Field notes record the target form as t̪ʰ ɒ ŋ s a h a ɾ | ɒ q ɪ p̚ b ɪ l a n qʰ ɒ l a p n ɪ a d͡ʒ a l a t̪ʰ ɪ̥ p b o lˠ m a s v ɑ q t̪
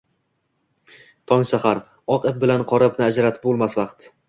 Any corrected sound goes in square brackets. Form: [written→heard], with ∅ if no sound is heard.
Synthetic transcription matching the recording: t̪ʰ ɒ ŋ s a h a ɾ | ɒ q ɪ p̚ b ɪ l a n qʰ ɒ [l→ɾ] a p n ɪ a d͡ʒ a [l→ɾ] a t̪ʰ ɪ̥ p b o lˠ m a s v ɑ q t̪